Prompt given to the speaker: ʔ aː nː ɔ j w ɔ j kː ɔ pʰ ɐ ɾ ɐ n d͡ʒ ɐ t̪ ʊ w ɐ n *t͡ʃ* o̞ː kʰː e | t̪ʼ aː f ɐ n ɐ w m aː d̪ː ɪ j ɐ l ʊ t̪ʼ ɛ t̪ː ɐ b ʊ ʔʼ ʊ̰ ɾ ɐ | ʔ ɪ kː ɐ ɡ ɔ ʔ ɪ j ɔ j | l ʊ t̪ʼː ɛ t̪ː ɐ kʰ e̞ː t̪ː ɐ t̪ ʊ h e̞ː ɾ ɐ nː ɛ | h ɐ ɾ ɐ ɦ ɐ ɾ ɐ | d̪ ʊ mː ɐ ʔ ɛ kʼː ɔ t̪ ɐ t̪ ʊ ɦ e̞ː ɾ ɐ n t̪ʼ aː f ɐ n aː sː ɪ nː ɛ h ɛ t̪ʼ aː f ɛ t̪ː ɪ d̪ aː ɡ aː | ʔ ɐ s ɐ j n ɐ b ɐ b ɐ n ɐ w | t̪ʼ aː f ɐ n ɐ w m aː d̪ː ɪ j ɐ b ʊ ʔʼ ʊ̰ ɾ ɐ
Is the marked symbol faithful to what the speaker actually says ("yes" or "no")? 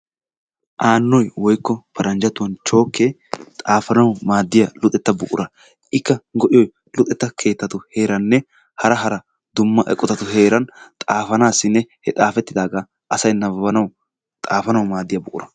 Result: yes